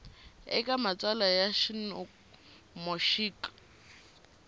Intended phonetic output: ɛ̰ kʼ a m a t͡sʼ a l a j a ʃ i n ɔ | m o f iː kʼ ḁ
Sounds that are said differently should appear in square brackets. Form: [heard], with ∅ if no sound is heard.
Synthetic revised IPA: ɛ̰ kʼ a m a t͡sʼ a l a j a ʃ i n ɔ | m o [ʃ] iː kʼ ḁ